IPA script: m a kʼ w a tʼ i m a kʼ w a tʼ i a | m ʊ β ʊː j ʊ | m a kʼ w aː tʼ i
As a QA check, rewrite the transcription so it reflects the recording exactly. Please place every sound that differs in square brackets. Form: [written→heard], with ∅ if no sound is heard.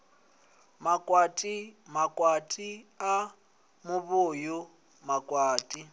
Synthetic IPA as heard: m a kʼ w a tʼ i m a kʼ w a tʼ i a | m ʊ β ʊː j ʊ | m a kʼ w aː tʼ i

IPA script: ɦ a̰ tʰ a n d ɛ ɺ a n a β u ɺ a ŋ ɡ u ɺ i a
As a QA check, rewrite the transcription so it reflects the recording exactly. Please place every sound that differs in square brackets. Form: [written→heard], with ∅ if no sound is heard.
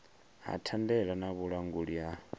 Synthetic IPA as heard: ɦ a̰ tʰ a n d ɛ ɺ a n a β u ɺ a ŋ ɡ u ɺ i a

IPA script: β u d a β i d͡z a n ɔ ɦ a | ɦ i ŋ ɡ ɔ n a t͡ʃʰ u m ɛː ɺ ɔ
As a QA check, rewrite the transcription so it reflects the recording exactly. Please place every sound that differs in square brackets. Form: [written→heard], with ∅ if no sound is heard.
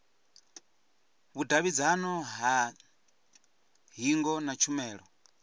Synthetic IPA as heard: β u d a β i d͡z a n ɔ ɦ a | ɦ i ŋ ɡ ɔ n a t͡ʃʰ u m ɛː ɺ ɔ

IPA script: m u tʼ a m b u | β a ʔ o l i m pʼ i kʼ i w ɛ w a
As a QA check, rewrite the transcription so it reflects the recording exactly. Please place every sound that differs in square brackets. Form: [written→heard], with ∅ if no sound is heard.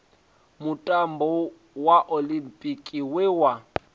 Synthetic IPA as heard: m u tʼ a m b [u→ɔ] | [β→w] a ʔ o l i m pʼ i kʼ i w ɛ w a

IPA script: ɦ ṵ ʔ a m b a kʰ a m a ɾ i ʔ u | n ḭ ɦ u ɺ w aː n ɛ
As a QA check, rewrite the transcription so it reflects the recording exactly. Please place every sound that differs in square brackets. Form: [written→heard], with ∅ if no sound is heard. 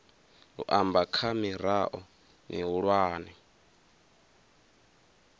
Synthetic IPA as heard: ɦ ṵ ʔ a m b a kʰ a m [a→i] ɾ [i→a] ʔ [u→ɔ] | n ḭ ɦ u ɺ w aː n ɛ

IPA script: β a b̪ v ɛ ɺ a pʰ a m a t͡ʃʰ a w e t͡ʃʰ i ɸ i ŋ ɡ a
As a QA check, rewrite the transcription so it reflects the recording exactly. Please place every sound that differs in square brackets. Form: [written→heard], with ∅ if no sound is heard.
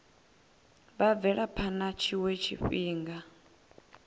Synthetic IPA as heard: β a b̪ v ɛ ɺ a pʰ a [m→n] a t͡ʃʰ [a→i] w e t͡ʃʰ i ɸ [i→iː] ŋ ɡ a

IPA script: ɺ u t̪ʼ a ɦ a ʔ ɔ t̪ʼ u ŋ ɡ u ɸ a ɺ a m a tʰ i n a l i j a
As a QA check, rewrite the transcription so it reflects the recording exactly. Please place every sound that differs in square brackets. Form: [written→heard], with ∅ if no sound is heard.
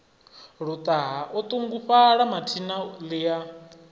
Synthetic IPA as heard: ɺ u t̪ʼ a ɦ a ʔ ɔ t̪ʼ u ŋ ɡ u ɸ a ɺ a m a tʰ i n a l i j a

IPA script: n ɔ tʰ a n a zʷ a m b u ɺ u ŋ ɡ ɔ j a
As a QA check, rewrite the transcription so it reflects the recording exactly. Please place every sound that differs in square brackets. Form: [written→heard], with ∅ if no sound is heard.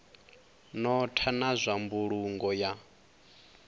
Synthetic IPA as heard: n ɔ tʰ a n a zʷ a m b u ɺ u ŋ ɡ ɔ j a

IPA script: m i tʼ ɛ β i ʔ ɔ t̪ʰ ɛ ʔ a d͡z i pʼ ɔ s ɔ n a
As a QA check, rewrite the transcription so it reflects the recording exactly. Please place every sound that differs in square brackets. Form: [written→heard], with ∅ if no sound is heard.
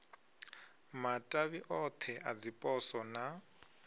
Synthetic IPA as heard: m [i→a] tʼ [ɛ→a] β i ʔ ɔ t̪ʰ ɛ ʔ a d͡z i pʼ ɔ s ɔ n a

